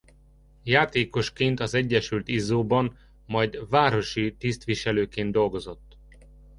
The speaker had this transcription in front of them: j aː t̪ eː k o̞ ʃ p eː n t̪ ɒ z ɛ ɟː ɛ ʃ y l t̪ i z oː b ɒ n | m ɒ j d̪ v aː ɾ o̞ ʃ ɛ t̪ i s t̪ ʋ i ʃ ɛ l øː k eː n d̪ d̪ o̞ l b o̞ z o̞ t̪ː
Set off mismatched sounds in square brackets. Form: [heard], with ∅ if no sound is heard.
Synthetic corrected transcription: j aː t̪ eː k o̞ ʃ [k] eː n t̪ ɒ z ɛ ɟː ɛ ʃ y l t̪ i z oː b ɒ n | m ɒ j d̪ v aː ɾ o̞ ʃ [i] t̪ i s t̪ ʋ i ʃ ɛ l øː k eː n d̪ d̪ o̞ l [ɡ] o̞ z o̞ t̪ː

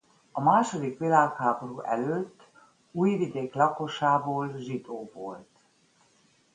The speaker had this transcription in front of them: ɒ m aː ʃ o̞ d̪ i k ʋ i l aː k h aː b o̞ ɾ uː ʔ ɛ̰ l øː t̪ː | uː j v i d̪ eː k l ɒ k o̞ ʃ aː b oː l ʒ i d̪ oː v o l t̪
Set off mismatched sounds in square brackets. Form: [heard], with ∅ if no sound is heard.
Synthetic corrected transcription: ɒ m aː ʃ o̞ d̪ i k ʋ i l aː k h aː b o̞ ɾ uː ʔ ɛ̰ l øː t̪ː | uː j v i d̪ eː k l ɒ k o̞ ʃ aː b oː l ʒ i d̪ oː v o l t̪

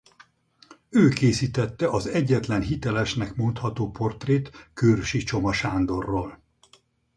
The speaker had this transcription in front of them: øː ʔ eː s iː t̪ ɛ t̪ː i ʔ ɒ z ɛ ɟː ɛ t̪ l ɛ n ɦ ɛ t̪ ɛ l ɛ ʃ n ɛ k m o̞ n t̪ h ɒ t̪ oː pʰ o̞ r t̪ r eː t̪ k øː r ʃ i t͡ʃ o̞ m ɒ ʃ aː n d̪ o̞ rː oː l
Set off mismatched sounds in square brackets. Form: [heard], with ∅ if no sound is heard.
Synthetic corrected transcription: øː [k] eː s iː t̪ ɛ t̪ː [ɛ] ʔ ɒ z ɛ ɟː ɛ t̪ l ɛ n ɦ [i] t̪ ɛ l ɛ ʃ n ɛ k m o̞ n t̪ h ɒ t̪ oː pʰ o̞ r t̪ r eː t̪ k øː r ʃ i t͡ʃ o̞ m ɒ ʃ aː n d̪ o̞ rː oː l

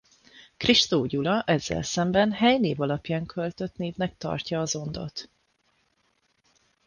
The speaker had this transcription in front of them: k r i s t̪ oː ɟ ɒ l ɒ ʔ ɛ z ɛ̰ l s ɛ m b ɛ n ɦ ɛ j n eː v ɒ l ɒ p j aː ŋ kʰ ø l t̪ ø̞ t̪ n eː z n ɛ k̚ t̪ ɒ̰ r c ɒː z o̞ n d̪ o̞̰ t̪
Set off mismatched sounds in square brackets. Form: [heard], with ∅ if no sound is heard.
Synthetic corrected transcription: k r i [ʃ] t̪ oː ɟ [u] l ɒ ʔ ɛ [zː] ɛ̰ l s ɛ m b ɛ n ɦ ɛ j n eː v ɒ l ɒ p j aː ŋ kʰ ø l t̪ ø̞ t̪ n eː [v] n ɛ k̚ t̪ ɒ̰ r c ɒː z o̞ n d̪ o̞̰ t̪

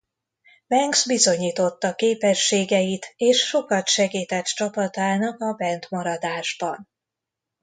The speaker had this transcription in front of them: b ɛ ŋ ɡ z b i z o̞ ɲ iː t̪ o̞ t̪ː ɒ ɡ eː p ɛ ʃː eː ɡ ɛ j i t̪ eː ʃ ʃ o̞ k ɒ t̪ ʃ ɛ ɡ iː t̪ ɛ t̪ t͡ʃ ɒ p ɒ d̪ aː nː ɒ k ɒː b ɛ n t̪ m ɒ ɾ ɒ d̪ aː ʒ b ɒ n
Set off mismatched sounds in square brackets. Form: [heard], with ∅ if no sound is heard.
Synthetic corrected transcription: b ɛ ŋ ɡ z b i z o̞ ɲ iː t̪ o̞ t̪ː ɒ [k] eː p ɛ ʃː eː ɡ ɛ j i t̪ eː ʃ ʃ o̞ k ɒ t̪ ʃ ɛ ɡ iː t̪ ɛ t̪ t͡ʃ ɒ p ɒ [t̪] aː [n] ɒ k [ɒ] b ɛ n t̪ m ɒ ɾ ɒ d̪ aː ʒ b ɒ n

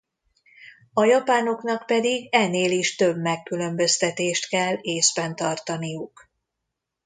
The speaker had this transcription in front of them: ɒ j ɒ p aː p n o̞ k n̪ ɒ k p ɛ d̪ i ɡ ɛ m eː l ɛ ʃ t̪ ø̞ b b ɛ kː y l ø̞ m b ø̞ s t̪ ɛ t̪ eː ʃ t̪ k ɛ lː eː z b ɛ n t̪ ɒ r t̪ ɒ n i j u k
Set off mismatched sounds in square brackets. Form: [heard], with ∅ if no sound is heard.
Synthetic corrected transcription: ɒ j ɒ p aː [∅] n o̞ k n̪ ɒ k p ɛ d̪ i ɡ ɛ [n] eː l [i] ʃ t̪ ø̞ b [m] ɛ kː y l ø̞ m b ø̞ s t̪ ɛ t̪ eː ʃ t̪ k ɛ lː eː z b ɛ n t̪ ɒ r t̪ ɒ n i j u k

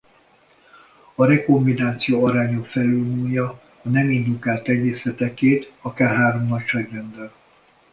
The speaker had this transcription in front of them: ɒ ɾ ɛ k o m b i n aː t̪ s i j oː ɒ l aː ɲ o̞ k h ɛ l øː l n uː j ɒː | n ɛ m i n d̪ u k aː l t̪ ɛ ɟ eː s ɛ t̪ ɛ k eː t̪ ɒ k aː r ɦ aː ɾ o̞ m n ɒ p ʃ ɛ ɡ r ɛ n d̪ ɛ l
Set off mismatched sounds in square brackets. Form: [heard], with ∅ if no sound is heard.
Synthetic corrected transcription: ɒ ɾ ɛ k o m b i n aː t̪ s i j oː ɒ [ɾ] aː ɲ o̞ k [f] ɛ l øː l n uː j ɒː | n ɛ m i n d̪ u k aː l t̪ ɛ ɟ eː s ɛ t̪ ɛ k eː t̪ ɒ k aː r ɦ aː ɾ o̞ m n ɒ [c] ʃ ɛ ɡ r ɛ n d̪ ɛ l

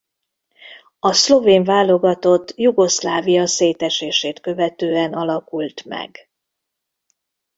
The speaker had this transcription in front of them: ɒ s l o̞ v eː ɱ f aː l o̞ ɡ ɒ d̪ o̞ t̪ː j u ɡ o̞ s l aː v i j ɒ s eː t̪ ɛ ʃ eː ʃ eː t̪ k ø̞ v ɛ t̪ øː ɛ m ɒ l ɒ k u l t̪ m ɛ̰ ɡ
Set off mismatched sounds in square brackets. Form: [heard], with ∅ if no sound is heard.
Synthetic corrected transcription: ɒ s l o̞ v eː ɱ [v] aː l o̞ ɡ ɒ [t̪] o̞ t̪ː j u ɡ o̞ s l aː v i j ɒ s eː t̪ ɛ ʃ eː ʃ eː t̪ k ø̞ v ɛ t̪ øː ɛ [n] ɒ l ɒ k u l t̪ m ɛ̰ ɡ

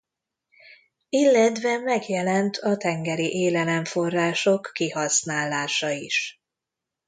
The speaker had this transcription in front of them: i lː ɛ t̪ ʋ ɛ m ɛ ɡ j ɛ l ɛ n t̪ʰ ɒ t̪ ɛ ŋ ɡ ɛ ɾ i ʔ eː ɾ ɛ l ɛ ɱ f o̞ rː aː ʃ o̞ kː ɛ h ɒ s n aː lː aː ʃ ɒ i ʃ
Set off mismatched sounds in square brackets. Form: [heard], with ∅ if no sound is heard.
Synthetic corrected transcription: i lː ɛ t̪ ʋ ɛ m ɛ ɡ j ɛ l ɛ n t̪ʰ ɒ t̪ ɛ ŋ ɡ ɛ ɾ i ʔ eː [l] ɛ l ɛ ɱ f o̞ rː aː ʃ o̞ kː [i] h ɒ s n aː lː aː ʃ ɒ i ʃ

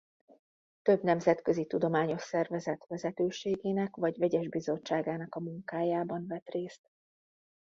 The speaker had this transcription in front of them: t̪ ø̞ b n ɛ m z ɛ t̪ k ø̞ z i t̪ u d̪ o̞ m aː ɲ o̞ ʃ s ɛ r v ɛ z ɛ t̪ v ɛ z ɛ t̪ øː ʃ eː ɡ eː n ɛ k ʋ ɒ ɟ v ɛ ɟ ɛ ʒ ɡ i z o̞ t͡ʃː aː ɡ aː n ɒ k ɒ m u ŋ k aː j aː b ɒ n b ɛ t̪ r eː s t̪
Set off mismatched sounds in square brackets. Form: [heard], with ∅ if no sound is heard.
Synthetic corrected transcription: t̪ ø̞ b n ɛ m z ɛ t̪ k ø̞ z i t̪ u d̪ o̞ m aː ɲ o̞ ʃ s ɛ r v ɛ z ɛ t̪ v ɛ z ɛ t̪ øː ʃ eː ɡ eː n ɛ k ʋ ɒ ɟ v ɛ ɟ ɛ ʒ [b] i z o̞ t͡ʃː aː ɡ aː n ɒ k ɒ m u ŋ k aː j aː b ɒ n [v] ɛ t̪ r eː s t̪

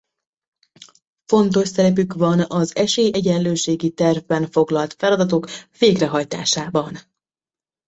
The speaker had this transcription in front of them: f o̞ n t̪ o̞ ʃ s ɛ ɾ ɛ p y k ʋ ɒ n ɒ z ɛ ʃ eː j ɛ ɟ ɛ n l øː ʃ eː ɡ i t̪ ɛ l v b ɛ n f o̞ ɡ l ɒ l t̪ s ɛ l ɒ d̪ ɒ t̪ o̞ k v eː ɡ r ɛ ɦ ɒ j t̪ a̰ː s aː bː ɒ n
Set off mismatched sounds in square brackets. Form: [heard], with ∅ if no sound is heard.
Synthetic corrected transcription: f o̞ n t̪ o̞ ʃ s ɛ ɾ ɛ p y k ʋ ɒ n ɒ z ɛ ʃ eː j ɛ ɟ ɛ n l øː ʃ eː ɡ i t̪ ɛ [r] v b ɛ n f o̞ ɡ l ɒ l t̪ [f] ɛ l ɒ d̪ ɒ t̪ o̞ k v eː ɡ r ɛ ɦ ɒ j t̪ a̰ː [ʃ] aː [b] ɒ n

